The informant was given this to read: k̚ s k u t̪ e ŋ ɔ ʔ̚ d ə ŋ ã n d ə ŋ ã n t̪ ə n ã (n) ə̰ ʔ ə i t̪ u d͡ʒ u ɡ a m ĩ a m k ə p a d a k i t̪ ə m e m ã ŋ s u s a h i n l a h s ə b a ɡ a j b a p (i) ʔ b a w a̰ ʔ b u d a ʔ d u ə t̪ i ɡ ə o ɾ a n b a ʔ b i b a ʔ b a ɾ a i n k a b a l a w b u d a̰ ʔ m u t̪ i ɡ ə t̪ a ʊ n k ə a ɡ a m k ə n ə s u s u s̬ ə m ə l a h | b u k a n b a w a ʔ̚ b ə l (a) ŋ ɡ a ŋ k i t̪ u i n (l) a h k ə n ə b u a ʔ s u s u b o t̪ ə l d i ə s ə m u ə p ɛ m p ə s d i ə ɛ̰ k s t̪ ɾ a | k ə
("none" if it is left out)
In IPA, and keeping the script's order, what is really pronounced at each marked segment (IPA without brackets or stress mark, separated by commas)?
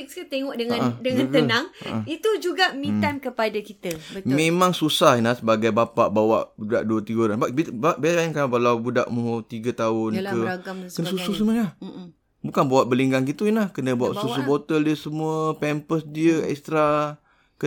ŋ, a, i, l